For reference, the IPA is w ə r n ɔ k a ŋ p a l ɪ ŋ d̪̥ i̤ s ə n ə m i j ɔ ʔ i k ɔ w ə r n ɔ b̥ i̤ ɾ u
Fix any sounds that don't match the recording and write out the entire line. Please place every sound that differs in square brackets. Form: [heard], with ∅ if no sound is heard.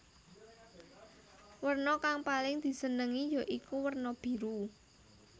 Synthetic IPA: w ə r n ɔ k a ŋ p a l ɪ ŋ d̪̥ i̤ s ə n ə [ŋ] i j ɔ ʔ i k [u] w ə r n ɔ b̥ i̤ ɾ u